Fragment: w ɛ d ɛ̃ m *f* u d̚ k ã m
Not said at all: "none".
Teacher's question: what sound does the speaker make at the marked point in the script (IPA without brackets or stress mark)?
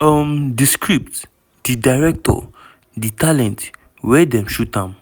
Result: ʃ